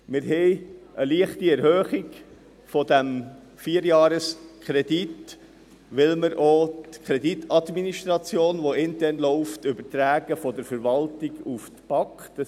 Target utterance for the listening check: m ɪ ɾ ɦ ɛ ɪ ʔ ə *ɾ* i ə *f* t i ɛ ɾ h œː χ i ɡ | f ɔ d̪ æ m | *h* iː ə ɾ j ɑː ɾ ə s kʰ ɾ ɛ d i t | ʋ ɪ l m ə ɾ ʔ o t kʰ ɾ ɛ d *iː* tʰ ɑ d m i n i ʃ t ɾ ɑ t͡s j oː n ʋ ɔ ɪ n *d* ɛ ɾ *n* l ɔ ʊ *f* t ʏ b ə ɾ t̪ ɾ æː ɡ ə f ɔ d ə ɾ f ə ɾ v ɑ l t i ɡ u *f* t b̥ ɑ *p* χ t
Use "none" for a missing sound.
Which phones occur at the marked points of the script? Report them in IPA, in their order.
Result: l, χ, f, i, t, n, f, f, k

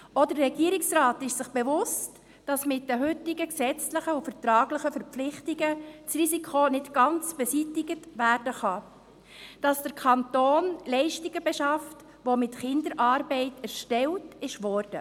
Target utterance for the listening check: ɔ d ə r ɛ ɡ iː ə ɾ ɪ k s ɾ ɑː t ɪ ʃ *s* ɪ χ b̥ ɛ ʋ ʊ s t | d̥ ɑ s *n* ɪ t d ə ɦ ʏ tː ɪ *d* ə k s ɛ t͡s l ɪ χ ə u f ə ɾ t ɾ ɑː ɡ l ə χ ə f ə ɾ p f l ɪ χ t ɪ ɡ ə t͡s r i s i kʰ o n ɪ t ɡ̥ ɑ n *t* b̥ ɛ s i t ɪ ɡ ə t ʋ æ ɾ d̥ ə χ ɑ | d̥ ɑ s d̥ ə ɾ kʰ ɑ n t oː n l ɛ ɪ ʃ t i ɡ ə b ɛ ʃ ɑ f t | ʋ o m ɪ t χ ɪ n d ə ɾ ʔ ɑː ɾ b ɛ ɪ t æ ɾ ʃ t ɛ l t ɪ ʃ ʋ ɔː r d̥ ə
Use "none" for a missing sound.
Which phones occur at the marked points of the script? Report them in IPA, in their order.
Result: s, m, ɡ, t͡s

